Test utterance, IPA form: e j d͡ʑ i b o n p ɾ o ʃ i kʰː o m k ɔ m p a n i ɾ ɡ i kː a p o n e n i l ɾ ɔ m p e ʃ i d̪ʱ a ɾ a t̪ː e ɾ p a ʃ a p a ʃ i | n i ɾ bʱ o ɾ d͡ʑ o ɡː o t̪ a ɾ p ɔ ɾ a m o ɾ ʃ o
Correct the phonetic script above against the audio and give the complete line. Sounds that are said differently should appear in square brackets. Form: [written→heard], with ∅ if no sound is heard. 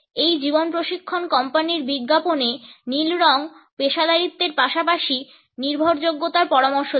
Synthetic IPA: e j d͡ʑ i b o n p ɾ o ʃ i kʰː o [m→n] k ɔ m p a n i ɾ [ɡ→b] i [kː→ɡː] a p o n e n i l ɾ ɔ [m→ŋ] p e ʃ [i→a] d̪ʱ a ɾ [a→i] t̪ː e ɾ p a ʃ a p a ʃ i | n i ɾ bʱ o ɾ d͡ʑ o ɡː o t̪ a ɾ p ɔ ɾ a m o ɾ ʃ o